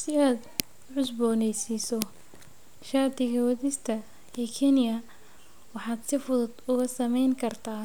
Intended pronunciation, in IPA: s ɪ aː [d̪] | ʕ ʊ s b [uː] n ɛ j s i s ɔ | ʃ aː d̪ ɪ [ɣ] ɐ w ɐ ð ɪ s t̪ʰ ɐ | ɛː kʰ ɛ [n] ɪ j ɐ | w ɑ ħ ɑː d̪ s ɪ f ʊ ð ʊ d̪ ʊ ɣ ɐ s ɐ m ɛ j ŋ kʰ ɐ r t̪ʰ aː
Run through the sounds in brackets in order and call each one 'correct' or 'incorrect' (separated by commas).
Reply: correct, incorrect, correct, correct